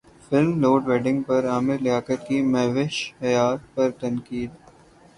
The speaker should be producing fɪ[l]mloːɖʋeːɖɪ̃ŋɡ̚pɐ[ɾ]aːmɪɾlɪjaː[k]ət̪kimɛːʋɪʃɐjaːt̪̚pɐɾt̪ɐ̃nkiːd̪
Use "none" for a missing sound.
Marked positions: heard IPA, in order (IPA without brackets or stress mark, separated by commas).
l, ɾ, k